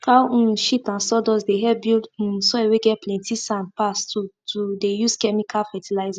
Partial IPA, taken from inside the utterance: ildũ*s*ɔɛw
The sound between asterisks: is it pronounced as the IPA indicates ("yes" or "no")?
yes